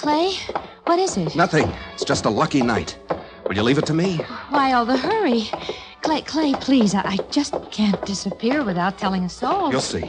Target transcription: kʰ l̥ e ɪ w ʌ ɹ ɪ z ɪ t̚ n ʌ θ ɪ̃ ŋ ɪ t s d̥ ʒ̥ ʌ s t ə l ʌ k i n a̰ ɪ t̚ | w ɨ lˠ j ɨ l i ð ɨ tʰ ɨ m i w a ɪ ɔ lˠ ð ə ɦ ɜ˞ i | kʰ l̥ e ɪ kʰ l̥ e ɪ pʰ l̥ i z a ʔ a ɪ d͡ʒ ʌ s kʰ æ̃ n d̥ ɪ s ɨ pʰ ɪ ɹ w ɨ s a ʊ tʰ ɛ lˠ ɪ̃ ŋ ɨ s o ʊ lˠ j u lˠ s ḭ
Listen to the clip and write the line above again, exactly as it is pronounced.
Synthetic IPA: kʰ l̥ e ɪ w ʌ ɾ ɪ z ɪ t̚ n ʌ θ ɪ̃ ŋ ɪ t s d̥ ʒ̥ ʌ s t ə l ʌ k i n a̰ ɪ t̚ | w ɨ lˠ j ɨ l i v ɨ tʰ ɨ m i w a ɪ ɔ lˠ ð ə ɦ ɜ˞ i | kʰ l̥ e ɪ kʰ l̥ e ɪ pʰ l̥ i z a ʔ a ɪ d͡ʒ ʌ s kʰ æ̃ n d̥ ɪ s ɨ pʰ ɪ ɹ w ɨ θ a ʊ tʰ ɛ lˠ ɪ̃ ŋ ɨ s o ʊ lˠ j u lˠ s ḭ

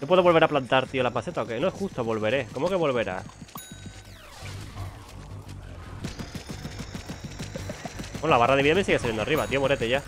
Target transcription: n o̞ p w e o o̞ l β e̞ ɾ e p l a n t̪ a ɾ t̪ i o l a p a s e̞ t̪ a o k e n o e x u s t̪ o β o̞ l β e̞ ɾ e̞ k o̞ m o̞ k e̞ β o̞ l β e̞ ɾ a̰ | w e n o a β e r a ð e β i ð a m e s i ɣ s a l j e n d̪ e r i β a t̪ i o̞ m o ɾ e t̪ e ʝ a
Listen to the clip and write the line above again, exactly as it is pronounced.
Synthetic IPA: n o̞ p w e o o̞ l β e̞ ɾ a p l a n t̪ a ɾ t̪ i o l a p a s e̞ t̪ a o k e n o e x u s t̪ o β o̞ l β e̞ ɾ e̞ k o̞ m o̞ k e̞ β o̞ l β e̞ ɾ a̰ | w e n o a β a r a ð e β i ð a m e s i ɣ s a l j e n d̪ a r i β a t̪ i o̞ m o ɾ e t̪ e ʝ a

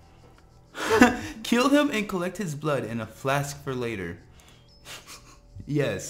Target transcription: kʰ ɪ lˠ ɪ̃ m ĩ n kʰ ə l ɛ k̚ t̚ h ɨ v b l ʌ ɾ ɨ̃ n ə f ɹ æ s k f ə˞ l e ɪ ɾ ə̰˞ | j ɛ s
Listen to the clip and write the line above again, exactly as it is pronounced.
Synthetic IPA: kʰ ɪ lˠ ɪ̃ m ɨ̃ n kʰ ə l ɛ k̚ t̚ h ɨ z b l ʌ ɾ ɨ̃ n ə f l æ s k f ə˞ l e ɪ ɾ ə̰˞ | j ɛ s

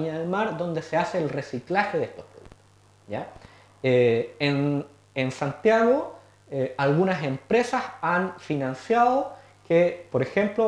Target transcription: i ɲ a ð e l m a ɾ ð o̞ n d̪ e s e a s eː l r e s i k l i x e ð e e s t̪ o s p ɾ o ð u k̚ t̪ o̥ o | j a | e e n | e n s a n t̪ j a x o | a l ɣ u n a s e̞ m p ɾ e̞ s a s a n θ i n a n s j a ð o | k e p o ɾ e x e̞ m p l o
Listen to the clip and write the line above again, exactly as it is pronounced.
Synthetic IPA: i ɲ a ð e l m a ɾ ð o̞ n d̪ e s e a s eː l r e s i k l a x e ð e e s t̪ o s p ɾ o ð u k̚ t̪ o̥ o | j a | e e n | e n s a n t̪ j a ɣ o | a l ɣ u n a s e̞ m p ɾ e̞ s a s a n f i n a n s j a ð o | k e p o ɾ e x e̞ m p l o

